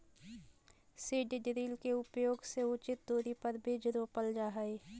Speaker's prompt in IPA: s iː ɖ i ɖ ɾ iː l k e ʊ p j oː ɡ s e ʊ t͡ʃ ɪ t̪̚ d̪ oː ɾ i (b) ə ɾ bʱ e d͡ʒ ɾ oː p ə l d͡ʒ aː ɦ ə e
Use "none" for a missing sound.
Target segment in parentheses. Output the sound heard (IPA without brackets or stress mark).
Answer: p